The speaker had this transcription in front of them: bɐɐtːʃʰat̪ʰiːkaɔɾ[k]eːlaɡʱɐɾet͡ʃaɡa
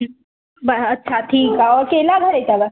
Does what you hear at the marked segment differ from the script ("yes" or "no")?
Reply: no